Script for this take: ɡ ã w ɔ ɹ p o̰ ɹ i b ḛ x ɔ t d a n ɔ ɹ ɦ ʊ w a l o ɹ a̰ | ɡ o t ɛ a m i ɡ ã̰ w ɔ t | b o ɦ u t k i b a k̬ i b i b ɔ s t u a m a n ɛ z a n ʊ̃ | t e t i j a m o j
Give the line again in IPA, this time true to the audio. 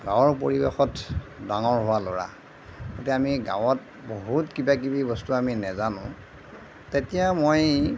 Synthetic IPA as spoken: ɡ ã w ɔ ɹ p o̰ ɹ i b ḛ x ɔ t d a ŋ ɔ ɹ ɦ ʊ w a l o ɹ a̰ | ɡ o t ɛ a m i ɡ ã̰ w ɔ t | b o ɦ u t k i b a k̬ i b i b ɔ s t u a m i n ɛ z a n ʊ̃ | t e t i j a m o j